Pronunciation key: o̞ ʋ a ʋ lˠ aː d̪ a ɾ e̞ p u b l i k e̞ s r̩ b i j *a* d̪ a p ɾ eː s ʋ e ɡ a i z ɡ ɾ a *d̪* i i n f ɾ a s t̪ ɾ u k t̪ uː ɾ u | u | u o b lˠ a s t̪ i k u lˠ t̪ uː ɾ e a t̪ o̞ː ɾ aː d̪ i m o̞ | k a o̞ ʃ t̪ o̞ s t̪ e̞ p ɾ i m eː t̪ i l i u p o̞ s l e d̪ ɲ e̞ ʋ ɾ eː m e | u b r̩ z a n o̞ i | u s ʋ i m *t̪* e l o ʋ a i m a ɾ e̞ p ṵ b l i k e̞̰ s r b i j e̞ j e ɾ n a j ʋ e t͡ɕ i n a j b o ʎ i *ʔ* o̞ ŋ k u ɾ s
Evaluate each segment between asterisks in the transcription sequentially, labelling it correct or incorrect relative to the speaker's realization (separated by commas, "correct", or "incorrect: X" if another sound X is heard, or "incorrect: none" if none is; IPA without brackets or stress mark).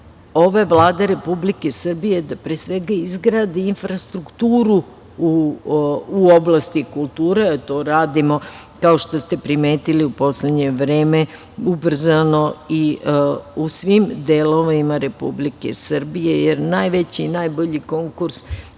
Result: incorrect: e, correct, incorrect: d̪, incorrect: k